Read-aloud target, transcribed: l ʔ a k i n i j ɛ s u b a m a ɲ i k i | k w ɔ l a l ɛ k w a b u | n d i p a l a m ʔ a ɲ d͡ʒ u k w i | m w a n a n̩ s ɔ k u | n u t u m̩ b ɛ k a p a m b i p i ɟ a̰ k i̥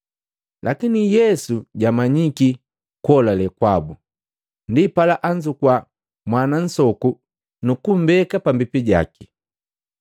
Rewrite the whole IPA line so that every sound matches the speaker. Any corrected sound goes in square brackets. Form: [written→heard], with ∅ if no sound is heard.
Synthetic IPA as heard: l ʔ a k i n i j ɛ s u [b→ɟ] a m a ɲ i k i | k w ɔ l a l ɛ k w a b u | n d i p a l a [m→∅] ʔ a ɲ d͡ʒ u k w [i→a] | m w a n a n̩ s ɔ k u | n u [t→k] u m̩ b ɛ k a p a m b i p i ɟ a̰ k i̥

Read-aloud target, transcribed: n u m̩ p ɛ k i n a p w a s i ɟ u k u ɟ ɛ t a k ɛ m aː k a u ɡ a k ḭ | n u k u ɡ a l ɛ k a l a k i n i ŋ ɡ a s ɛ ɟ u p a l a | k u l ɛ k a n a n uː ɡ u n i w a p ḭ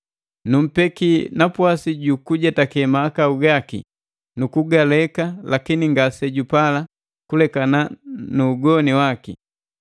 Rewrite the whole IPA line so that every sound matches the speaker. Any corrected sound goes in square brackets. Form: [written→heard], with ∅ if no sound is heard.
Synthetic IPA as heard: n u m̩ p ɛ k i n a p w a s i ɟ u k u ɟ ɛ t a k ɛ m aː k a u ɡ a k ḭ | n u k u ɡ a l ɛ k a l a k i n i ŋ ɡ a s ɛ ɟ u p a l a | k u l ɛ k a n a n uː ɡ [u→ɔ] n i w a [p→k] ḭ

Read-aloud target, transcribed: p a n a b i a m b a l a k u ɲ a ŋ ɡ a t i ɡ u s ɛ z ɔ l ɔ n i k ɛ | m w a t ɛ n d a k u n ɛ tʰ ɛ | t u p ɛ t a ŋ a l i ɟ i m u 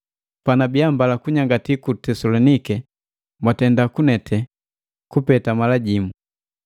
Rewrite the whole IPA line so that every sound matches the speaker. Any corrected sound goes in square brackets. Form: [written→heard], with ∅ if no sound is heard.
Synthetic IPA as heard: p a n a b i a m b a l a k u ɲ a ŋ ɡ a t i [ɡ→k] u [s→t] ɛ [z→s] ɔ l ɔ n i k ɛ | m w a t ɛ n d a k u n ɛ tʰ ɛ | [t→k] u p ɛ t a [ŋ→m] a l [i→a] ɟ i m u

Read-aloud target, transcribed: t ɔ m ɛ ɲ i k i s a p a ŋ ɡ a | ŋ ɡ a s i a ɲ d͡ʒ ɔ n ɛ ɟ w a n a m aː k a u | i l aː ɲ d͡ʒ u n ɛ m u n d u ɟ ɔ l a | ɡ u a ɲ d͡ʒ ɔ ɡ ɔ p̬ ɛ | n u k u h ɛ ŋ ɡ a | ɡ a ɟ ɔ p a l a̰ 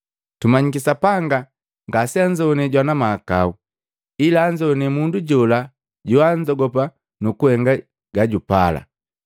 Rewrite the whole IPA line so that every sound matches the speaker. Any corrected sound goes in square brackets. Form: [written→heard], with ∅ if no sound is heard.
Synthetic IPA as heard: t [ɔ→u] m [ɛ→a] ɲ i k i s a p a ŋ ɡ a | ŋ ɡ a s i a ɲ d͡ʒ ɔ n ɛ ɟ w a n a m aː k a u | i l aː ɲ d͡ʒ [u→ɔ] n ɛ m u n d u ɟ ɔ l a | [ɡ→ɟ] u a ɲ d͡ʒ ɔ ɡ ɔ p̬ [ɛ→a] | n u k u h ɛ ŋ ɡ a | ɡ a ɟ [ɔ→u] p a l a̰

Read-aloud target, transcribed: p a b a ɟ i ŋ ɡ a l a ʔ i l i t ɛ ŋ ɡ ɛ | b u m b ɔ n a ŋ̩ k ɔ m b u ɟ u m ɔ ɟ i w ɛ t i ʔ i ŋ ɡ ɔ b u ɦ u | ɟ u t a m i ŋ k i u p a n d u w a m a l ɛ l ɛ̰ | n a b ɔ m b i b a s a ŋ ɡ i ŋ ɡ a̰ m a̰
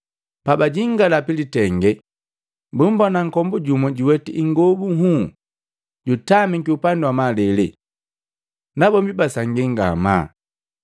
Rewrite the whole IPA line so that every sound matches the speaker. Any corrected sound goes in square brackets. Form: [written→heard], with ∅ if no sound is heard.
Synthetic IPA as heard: p a b a ɟ i ŋ ɡ a l a [ʔ→p] i l i t ɛ ŋ ɡ ɛ | b u m b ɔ n a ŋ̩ k ɔ m b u ɟ u m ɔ ɟ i w ɛ t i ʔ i ŋ ɡ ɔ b u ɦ u | ɟ u t a m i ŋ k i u p a n d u w a m a l ɛ l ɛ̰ | n a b ɔ m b i b a s a ŋ ɡ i ŋ ɡ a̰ m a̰

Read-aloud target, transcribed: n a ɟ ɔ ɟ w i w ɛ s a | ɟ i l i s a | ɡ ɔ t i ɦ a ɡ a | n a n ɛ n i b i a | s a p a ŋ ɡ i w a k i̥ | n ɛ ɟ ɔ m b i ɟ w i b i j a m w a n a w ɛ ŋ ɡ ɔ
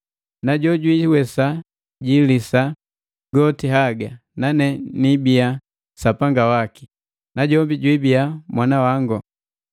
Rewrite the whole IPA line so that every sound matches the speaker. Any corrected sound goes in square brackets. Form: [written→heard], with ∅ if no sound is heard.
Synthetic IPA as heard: n a ɟ ɔ ɟ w i w ɛ s a | ɟ i l i s a | ɡ ɔ t i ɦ a ɡ a | n a n ɛ n i b i a | s a p a ŋ ɡ [i→a] w a k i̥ | n [ɛ→a] ɟ ɔ m b i ɟ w i b i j a m w a n a w [ɛ→a] ŋ ɡ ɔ

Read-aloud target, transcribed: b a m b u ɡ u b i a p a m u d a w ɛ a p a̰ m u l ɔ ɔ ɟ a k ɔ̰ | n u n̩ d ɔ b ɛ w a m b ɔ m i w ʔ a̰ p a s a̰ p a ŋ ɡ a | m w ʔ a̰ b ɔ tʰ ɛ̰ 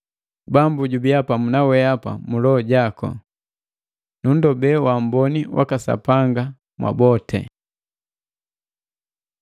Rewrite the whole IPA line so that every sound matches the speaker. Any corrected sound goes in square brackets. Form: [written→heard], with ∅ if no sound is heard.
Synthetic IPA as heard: b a m b u [ɡ→ɟ] u b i a p a m u [d→n] a w ɛ a p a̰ m u l ɔ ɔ ɟ a k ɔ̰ | n u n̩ d ɔ b ɛ w a m b ɔ [m→n] i w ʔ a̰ [p→k] a s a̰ p a ŋ ɡ a | m w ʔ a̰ b ɔ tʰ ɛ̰

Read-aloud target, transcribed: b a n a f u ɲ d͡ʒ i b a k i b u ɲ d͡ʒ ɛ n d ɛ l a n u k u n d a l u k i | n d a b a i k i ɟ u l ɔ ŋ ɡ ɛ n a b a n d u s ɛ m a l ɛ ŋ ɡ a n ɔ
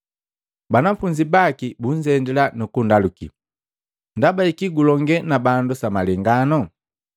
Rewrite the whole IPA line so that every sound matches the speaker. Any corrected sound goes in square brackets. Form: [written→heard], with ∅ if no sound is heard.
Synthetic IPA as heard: b a n a f u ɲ d͡ʒ i b a k i b u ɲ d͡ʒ ɛ n d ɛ l a n u k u n d a l u k i | n d a b a i k i [ɟ→ɡ] u l ɔ ŋ ɡ ɛ n a b a n d u s [ɛ→a] m a l ɛ ŋ ɡ a n ɔ

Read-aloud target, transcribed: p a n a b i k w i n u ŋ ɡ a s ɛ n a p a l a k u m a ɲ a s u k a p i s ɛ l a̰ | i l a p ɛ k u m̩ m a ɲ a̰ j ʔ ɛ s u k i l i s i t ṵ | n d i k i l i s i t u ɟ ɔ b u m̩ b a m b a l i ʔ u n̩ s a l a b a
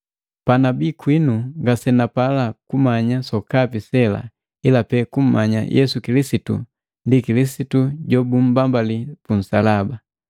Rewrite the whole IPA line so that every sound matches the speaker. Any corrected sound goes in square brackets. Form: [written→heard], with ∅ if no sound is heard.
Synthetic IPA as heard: p a n a b i k w i n u ŋ ɡ a s ɛ n a p a l a k u m a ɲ a s [u→ɔ] k a p i s ɛ l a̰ | i l a p ɛ k u m̩ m a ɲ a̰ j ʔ ɛ s u k i l i s i t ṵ | n d i k i l i s i t u ɟ ɔ b u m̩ b a m b a l i [ʔ→p] u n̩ s a l a b a

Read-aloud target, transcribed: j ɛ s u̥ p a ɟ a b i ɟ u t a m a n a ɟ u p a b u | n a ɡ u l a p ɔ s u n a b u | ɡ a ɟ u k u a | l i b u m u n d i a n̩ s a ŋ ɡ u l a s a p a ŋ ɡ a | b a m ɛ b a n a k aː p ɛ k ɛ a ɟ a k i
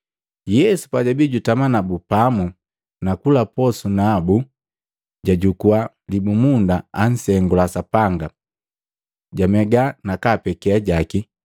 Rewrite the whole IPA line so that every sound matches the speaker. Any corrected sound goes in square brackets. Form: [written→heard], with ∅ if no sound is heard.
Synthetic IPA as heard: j ɛ s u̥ p a ɟ a b i ɟ u t a m a n a [ɟ→b] u p a [b→m] u | n a [ɡ→k] u l a p ɔ s u n a b u | [ɡ→ɟ] a ɟ u k u a | l i b u m u n d [i→a] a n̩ s [a→ɛ] ŋ ɡ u l a s a p a ŋ ɡ a | [b→ɟ] a m ɛ [b→ɡ] a n a k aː p ɛ k ɛ a ɟ a k i

